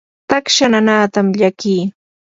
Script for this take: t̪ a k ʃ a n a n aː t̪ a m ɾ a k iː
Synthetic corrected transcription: t̪ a k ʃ a n a n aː t̪ a m ʎ a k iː